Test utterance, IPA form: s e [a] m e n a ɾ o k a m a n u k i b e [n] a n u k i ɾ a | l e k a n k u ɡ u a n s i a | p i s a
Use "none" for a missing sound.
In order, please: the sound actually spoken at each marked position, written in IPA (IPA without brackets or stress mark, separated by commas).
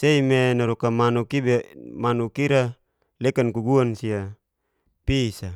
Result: i, m